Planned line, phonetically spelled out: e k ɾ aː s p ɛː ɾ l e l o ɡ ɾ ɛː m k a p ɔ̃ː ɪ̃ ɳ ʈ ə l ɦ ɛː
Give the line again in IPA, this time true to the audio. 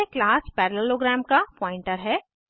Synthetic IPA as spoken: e k l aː s p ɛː ɾ l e l o ɡ ɾ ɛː m k a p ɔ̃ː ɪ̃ ɳ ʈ ə ɾ ɦ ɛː

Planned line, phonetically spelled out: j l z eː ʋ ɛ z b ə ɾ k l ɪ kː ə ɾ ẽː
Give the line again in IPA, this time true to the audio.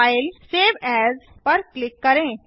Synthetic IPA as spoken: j l s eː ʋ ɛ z p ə ɾ k l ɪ kː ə ɾ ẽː

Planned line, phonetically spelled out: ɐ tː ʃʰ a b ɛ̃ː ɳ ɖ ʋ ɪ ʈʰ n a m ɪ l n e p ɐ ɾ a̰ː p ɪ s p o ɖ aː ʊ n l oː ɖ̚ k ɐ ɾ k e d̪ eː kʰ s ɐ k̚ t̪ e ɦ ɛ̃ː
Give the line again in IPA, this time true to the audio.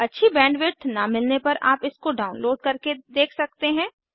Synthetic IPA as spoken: ɐ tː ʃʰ i b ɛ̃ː ɳ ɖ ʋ ɪ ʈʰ n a m ɪ l n e p ɐ ɾ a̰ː p ɪ s k o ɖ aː ʊ n l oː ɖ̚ k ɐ ɾ k e d̪ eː kʰ s ɐ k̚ t̪ e ɦ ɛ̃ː

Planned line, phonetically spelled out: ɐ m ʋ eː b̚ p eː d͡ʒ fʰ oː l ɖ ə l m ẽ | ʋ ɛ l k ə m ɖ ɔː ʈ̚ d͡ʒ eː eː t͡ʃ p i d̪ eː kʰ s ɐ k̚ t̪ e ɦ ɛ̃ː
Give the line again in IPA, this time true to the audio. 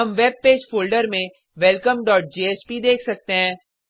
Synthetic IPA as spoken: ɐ m ʋ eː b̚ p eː d͡ʒ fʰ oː l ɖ ə ɾ m ẽ | ʋ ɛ l k ə m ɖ ɔː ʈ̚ d͡ʒ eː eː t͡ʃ p i d̪ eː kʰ s ɐ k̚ t̪ e ɦ ɛ̃ː

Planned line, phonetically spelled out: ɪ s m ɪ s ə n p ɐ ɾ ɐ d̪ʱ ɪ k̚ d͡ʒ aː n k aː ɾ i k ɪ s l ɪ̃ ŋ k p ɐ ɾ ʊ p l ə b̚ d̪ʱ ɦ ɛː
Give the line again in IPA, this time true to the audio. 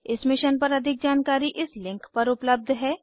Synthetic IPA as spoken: ɪ s m ɪ ʃ ə n p ɐ ɾ ɐ d̪ʱ ɪ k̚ d͡ʒ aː n k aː ɾ i ʔ ɪ s l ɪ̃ ŋ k p ɐ ɾ ʊ p l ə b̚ d̪ʱ ɦ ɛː

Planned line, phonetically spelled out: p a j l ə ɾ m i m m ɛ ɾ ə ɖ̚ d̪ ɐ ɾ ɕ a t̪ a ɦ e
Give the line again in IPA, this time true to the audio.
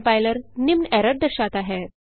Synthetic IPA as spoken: p a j l ə ɾ n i m n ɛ ɾ ə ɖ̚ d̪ ə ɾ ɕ a t̪ a ɦ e

